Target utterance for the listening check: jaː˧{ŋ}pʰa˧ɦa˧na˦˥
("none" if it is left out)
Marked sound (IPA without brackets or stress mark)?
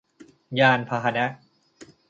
n